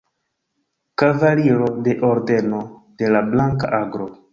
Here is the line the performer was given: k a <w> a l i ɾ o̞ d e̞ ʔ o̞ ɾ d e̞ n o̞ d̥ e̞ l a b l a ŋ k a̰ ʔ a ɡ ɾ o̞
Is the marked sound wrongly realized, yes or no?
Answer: yes